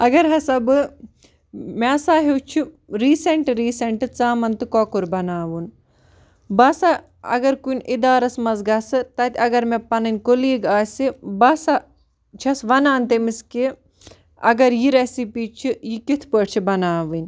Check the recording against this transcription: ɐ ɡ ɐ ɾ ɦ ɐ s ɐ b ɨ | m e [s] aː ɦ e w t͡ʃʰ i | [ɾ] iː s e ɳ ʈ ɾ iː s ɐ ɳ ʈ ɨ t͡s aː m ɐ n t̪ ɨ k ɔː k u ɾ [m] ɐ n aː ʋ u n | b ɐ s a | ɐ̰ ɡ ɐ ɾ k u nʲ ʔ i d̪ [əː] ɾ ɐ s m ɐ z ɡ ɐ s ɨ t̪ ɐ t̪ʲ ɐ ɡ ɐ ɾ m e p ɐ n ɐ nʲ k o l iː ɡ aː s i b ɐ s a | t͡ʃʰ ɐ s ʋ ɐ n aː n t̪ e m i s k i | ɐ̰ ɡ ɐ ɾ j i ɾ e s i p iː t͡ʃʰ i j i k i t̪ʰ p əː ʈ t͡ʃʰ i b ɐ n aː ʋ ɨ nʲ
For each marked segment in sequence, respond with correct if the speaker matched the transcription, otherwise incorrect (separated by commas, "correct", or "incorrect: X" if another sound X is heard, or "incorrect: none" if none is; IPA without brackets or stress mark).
correct, correct, incorrect: b, incorrect: aː